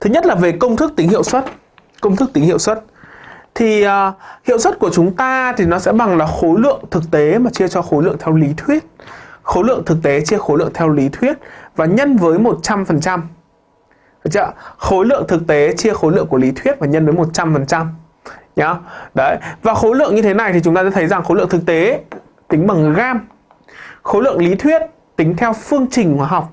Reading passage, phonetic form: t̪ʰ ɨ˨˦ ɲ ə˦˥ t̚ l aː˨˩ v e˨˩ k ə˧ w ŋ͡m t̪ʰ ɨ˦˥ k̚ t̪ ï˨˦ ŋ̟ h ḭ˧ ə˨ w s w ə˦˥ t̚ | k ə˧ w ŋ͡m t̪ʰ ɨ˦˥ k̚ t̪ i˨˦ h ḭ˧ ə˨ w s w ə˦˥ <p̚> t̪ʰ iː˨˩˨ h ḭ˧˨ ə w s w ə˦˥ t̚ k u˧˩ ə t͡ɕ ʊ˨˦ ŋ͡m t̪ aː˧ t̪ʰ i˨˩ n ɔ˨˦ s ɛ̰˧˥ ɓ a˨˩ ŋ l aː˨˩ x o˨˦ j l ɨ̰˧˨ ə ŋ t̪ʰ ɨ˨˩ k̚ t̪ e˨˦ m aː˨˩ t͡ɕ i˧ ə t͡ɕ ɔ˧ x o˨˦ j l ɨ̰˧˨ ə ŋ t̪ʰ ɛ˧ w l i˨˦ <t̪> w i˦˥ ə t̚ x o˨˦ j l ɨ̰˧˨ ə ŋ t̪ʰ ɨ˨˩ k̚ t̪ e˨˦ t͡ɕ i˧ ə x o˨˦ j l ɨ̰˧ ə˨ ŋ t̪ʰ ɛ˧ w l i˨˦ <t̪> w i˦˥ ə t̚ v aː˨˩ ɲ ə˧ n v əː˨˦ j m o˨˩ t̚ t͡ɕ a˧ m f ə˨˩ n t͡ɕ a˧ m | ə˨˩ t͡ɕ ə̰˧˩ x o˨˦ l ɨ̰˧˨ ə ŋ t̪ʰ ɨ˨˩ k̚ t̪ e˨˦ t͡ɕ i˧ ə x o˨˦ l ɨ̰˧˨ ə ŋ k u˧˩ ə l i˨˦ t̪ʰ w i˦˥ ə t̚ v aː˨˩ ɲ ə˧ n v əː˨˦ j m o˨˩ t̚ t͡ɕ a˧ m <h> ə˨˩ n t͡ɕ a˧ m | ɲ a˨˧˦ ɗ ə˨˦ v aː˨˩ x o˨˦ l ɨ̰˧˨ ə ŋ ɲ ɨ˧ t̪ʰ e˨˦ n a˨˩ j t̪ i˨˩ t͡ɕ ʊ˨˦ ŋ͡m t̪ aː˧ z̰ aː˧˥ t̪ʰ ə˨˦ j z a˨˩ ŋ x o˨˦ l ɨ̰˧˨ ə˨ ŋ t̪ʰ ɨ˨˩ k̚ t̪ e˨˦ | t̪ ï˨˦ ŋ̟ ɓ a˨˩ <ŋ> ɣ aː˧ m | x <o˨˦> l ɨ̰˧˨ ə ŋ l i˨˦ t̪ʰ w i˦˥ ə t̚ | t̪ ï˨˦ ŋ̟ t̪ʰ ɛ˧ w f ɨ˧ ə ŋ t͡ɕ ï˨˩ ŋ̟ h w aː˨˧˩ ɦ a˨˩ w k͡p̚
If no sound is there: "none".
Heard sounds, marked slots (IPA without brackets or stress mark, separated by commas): t̚, t̪ʰ, t̪ʰ, f, ŋ, o˨˦